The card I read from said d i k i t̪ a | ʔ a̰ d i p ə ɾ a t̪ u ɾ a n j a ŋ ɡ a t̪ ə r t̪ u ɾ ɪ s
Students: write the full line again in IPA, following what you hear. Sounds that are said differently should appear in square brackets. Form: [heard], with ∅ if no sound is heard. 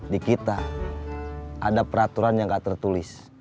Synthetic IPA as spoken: d i k i t̪ a | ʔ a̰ d [a] p ə ɾ a t̪ u ɾ a n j a ŋ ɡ a t̪ ə r t̪ u [l] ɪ s